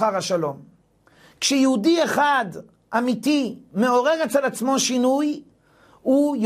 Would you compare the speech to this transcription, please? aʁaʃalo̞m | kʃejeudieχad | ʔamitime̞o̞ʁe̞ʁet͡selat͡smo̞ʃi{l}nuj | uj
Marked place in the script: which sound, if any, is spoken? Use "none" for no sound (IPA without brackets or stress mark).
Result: none